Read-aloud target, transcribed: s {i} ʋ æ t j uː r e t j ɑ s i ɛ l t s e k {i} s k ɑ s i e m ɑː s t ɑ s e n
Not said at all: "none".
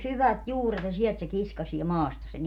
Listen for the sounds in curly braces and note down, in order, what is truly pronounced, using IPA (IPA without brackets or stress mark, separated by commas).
y, i